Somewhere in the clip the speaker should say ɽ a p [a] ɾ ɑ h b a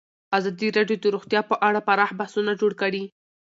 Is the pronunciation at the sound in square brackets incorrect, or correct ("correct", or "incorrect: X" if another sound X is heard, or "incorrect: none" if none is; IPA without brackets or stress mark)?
correct